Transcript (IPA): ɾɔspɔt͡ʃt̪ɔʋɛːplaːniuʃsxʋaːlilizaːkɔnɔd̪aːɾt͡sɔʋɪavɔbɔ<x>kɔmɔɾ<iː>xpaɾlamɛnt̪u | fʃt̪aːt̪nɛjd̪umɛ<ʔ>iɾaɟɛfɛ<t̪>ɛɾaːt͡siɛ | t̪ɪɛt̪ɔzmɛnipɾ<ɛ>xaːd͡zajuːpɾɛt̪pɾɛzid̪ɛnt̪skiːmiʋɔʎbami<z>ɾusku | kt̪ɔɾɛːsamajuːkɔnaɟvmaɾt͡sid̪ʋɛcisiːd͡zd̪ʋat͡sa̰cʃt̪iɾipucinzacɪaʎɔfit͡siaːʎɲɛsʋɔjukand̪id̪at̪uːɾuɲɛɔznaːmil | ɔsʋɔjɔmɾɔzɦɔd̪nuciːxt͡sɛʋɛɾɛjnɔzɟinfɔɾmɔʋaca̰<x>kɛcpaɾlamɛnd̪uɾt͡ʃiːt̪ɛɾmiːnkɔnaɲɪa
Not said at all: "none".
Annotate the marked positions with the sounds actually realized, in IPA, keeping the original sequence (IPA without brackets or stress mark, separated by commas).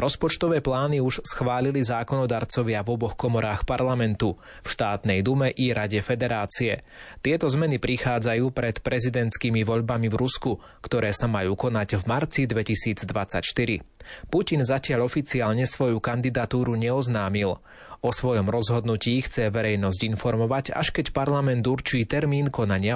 x, aː, ʔ, d̪, i, v, ʃ